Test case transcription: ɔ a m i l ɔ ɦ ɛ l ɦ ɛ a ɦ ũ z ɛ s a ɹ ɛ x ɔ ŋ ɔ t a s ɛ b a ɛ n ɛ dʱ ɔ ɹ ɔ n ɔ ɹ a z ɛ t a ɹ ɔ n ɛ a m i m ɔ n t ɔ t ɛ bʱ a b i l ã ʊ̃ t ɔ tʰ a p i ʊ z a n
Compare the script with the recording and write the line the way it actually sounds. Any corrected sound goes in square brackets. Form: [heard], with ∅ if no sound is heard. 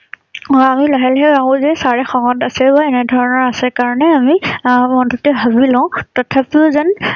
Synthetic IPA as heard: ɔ a m i l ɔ ɦ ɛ l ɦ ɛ a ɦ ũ z ɛ s a ɹ ɛ x ɔ ŋ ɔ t a s ɛ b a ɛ n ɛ dʱ ɔ ɹ ɔ n ɔ ɹ a [s] ɛ [k] a ɹ ɔ n ɛ a m i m ɔ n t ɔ t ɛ bʱ a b i l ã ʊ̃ t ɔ tʰ a p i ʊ z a n